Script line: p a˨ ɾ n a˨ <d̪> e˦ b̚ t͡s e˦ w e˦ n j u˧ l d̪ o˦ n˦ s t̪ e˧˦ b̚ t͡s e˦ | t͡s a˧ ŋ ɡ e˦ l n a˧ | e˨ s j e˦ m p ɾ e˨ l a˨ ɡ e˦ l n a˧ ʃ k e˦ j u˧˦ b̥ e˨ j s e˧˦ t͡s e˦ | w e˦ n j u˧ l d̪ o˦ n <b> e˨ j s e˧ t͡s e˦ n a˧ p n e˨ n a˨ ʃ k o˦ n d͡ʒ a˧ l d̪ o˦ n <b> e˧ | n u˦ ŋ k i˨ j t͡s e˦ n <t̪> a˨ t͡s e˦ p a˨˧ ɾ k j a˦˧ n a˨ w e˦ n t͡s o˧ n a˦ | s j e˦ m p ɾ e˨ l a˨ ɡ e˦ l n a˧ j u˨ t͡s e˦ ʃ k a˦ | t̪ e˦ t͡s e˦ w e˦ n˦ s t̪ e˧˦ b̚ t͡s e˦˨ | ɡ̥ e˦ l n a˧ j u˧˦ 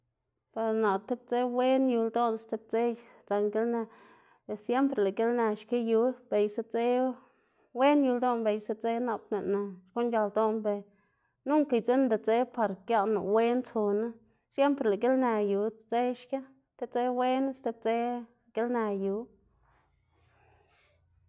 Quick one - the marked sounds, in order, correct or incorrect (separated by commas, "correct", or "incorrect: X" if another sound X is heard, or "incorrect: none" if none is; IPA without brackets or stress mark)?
incorrect: t̪, correct, correct, incorrect: d̪